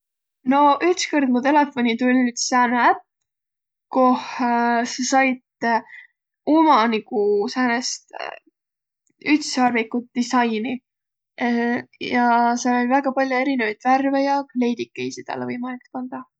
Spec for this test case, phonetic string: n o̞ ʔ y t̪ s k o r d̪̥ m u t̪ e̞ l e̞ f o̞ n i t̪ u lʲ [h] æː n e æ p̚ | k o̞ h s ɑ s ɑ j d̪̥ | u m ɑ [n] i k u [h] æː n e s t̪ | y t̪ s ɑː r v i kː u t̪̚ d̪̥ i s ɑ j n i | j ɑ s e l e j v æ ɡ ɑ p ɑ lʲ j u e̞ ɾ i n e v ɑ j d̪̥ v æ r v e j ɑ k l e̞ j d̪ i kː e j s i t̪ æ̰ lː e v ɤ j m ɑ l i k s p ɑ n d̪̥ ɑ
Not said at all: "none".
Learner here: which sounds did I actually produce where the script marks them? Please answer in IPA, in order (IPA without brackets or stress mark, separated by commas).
s, n, s